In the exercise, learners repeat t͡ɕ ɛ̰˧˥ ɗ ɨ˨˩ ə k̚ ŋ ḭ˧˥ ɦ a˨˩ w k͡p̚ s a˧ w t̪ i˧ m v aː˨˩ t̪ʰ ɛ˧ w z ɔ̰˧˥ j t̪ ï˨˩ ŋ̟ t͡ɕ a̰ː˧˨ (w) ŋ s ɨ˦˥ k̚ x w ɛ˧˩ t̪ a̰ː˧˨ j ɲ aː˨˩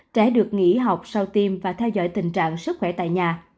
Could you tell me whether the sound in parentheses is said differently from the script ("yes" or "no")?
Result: yes